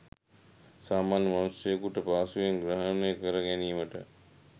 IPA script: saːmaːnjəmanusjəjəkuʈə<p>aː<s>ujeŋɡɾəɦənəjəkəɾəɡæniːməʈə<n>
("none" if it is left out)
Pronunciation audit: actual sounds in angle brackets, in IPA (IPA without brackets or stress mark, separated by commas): p, s, none